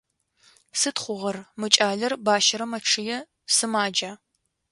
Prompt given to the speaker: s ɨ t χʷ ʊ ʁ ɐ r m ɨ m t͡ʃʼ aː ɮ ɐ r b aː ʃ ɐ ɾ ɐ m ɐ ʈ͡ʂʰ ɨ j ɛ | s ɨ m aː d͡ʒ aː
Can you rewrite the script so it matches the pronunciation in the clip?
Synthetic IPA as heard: s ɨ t χʷ ʊ ʁ ɐ r m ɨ t͡ʃʼ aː ɮ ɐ r b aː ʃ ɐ ɾ ɐ m ɐ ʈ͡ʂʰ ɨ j ɛ | s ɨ m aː d͡ʒ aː